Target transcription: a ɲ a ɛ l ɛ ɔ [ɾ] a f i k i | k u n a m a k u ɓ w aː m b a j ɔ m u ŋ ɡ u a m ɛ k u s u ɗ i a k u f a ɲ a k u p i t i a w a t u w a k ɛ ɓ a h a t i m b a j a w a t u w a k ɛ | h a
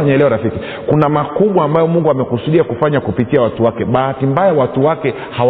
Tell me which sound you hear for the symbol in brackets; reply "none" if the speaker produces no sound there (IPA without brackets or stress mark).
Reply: ɾ